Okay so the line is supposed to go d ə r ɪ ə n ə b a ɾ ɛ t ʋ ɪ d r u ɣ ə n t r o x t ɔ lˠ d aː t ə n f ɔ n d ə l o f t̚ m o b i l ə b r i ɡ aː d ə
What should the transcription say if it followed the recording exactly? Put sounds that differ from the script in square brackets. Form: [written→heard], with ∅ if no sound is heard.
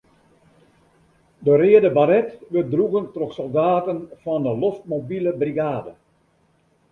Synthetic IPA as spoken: d ə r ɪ ə [n→d] ə b a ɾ ɛ t ʋ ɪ d r u ɣ ə n t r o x [t→s] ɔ lˠ d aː t ə n f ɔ n d ə l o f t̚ m o b i l ə b r i ɡ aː d ə

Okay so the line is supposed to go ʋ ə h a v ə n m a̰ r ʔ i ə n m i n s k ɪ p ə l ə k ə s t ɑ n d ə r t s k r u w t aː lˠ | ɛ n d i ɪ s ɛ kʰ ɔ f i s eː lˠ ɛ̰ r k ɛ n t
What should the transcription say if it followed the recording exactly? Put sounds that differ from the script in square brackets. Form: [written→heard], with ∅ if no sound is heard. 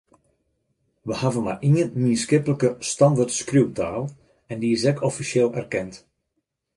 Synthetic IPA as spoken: ʋ ə h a v ə n m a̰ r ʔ i ə n m i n s k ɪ p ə l ə k ə s t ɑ n d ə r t s k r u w t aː lˠ | ɛ n d i ɪ s ɛ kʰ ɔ f i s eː lˠ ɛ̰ r k ɛ n t

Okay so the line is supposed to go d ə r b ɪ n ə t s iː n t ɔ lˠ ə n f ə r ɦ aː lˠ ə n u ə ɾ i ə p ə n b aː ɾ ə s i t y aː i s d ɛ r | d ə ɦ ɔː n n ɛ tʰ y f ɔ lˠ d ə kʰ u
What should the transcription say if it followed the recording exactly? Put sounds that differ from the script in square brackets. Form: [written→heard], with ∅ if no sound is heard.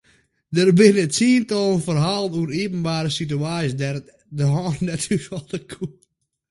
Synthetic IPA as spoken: d ə r b ɪ n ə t s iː n t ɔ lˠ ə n f ə r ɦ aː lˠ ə n u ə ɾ i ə p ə n b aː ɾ ə s i t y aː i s d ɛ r | d ə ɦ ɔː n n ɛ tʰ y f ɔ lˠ d ə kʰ u

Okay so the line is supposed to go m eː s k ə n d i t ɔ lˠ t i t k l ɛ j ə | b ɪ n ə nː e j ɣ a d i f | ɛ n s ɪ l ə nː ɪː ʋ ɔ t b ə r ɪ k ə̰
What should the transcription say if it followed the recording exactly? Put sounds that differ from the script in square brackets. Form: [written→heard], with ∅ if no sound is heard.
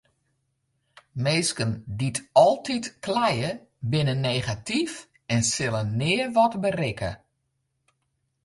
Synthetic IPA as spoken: m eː s k ə n d i t ɔ lˠ t i t k l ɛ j ə | b ɪ n ə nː e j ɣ a [d→t] i f | ɛ n s ɪ l ə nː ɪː ʋ ɔ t b ə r ɪ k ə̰

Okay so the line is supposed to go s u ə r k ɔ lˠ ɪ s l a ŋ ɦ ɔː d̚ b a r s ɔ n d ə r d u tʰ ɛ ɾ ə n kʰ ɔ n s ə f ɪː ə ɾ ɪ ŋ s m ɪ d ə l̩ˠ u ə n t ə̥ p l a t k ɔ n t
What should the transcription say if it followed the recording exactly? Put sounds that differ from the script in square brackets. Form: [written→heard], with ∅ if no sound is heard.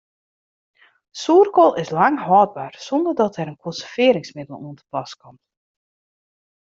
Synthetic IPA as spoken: s u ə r k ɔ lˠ ɪ s l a ŋ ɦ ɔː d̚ b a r s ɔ n d ə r d [u→ɔ] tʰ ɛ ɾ ə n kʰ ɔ n s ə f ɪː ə ɾ ɪ ŋ s m ɪ d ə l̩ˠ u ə n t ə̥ p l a [t→s] k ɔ [n→m] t

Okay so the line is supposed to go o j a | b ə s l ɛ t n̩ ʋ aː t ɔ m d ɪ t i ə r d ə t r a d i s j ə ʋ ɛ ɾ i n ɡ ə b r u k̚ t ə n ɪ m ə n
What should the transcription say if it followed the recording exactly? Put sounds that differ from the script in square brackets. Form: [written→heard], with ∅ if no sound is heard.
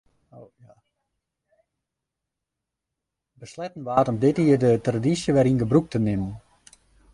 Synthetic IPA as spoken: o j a | b ə s l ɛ t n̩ ʋ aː t ɔ m d ɪ t i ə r d ə t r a d i s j ə ʋ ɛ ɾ i n ɡ ə b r u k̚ t ə n ɪ m ə n

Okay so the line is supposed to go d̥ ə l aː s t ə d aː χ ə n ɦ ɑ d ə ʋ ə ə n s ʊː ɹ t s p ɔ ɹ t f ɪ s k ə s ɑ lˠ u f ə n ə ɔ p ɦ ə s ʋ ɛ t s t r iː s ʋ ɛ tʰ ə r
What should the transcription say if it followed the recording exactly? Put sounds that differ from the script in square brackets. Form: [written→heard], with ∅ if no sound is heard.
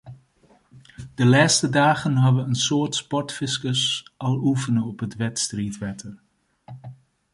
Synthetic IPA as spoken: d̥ ə l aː s t ə d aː χ ə n ɦ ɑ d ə ʋ ə ə n s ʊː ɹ t s p ɔ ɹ t f ɪ s k ə s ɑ lˠ u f ə n ə ɔ p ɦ ə [s→t] ʋ ɛ t s t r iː [s→t] ʋ ɛ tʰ ə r

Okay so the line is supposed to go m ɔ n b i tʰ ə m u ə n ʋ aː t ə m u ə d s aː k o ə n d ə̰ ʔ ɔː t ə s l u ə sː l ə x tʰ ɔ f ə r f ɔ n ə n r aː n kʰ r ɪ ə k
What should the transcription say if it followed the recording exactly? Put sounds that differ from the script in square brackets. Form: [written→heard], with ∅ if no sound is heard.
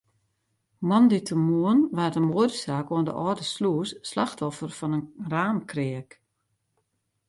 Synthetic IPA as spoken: m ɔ n [b→d] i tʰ ə m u ə n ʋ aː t ə m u ə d s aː k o ə n d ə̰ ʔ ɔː [t→d] ə s l u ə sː l [ə→a] x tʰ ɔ f ə r f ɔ n ə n r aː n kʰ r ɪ ə k

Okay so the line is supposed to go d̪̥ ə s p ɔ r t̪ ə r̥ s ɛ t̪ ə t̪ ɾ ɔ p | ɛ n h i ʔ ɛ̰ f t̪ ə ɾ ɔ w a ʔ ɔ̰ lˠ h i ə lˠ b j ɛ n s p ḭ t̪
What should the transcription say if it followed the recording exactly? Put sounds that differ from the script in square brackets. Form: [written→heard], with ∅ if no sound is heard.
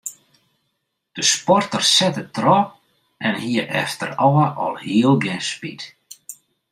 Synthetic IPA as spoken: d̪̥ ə s p ɔ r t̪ ə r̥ s ɛ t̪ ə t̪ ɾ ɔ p | ɛ n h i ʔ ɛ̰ f t̪ ə ɾ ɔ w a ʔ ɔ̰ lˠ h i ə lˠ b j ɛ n s p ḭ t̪

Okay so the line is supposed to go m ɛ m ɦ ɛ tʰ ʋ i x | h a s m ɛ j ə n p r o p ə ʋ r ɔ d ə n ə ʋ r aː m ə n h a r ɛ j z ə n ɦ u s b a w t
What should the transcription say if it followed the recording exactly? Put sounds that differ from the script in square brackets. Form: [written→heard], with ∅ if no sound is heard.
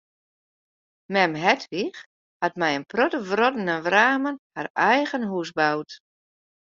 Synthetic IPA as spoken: m ɛ m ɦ ɛ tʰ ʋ i x | h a [s→t] m ɛ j ə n p r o [p→t] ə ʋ r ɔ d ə n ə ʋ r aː m ə n h a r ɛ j [z→ɣ] ə n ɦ u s b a w t

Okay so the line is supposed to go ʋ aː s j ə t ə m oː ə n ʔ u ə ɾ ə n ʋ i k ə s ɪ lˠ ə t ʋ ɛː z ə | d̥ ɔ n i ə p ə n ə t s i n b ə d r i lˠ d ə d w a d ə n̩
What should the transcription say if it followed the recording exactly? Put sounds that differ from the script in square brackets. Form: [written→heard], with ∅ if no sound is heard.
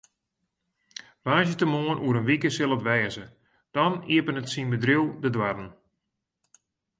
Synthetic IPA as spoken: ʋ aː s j ə t ə m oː ə n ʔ u ə ɾ ə n ʋ i k ə s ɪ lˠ ə t ʋ ɛː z ə | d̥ ɔ n i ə p ə n ə t s i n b ə d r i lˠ d ə d w a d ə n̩

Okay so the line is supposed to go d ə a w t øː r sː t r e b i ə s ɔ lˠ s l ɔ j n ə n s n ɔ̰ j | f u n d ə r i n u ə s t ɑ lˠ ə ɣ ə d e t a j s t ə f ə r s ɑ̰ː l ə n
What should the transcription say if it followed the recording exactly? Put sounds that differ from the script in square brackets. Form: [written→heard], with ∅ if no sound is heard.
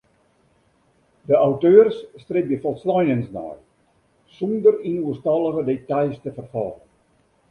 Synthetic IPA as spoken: d ə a w t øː r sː t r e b [i→j] ə [s→f] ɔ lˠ s l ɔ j n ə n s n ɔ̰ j | [f→s] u n d ə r i n u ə s t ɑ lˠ ə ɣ ə d e t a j s t ə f ə r [s→f] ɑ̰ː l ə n

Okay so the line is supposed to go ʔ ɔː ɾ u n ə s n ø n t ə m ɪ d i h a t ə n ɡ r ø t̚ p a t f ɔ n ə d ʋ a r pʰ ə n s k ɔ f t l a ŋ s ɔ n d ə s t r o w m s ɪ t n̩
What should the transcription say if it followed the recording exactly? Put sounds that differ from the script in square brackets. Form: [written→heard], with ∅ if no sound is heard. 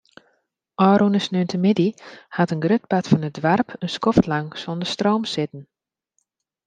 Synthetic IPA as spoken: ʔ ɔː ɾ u n ə s n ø n t ə m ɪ d i h a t ə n ɡ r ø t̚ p a t f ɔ n ə d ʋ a r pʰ ə n s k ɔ f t l a ŋ s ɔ n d ə s t r o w m s ɪ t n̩

